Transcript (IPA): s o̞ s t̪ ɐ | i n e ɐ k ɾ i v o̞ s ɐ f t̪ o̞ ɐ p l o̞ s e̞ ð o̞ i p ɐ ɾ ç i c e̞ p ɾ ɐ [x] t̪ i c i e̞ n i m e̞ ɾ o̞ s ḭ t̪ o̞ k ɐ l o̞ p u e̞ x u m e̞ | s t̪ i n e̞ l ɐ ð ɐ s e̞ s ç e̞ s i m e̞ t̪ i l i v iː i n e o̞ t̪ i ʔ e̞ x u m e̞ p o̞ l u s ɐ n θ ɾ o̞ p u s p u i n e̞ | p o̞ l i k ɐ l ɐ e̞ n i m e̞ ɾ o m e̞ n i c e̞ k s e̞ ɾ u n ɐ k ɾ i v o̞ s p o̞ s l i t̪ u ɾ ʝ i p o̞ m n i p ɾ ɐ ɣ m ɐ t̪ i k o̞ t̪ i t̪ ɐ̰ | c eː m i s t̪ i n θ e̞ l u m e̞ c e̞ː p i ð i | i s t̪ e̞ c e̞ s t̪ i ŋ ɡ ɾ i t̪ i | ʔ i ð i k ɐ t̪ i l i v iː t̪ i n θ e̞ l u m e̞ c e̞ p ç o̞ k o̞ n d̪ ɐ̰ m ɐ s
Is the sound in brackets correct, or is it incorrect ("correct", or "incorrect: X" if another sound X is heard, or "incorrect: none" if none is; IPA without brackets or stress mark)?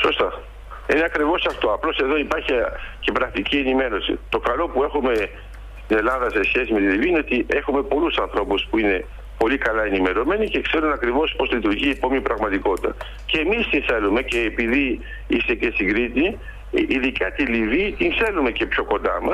incorrect: k